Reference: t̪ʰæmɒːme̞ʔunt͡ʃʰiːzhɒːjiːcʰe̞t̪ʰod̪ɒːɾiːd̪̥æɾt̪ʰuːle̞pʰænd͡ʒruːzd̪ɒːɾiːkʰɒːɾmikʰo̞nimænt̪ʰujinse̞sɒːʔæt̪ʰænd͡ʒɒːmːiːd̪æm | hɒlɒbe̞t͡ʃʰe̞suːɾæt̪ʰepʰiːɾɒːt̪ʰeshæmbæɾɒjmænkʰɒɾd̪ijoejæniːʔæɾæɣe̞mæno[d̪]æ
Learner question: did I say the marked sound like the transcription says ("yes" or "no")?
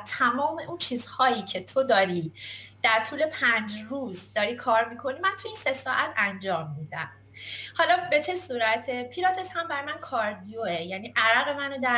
yes